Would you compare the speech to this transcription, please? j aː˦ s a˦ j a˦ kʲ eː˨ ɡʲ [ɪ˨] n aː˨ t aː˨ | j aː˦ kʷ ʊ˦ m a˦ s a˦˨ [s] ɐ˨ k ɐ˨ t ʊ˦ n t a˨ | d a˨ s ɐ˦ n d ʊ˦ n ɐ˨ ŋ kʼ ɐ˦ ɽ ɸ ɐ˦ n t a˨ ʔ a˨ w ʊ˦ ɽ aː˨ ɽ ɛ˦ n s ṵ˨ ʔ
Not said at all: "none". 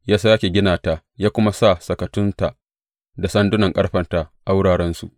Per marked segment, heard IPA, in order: ɪ˦, s

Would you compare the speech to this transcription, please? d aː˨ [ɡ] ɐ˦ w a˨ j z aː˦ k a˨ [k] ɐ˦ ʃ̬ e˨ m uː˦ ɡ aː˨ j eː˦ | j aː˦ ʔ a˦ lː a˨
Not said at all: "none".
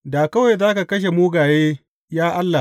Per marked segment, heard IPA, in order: k, k

